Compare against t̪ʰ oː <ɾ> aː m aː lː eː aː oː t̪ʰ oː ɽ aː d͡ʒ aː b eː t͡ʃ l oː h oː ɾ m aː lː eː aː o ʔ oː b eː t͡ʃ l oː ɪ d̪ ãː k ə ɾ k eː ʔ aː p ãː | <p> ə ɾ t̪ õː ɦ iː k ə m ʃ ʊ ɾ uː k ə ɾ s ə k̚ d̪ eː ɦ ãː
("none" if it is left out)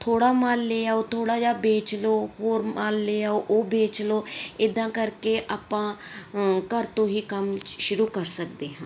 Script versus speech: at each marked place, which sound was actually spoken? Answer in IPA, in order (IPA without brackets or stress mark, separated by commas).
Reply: ɽ, k